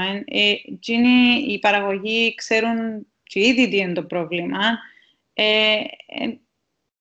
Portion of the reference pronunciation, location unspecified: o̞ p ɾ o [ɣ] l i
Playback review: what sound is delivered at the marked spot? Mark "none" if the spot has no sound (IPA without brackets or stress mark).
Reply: v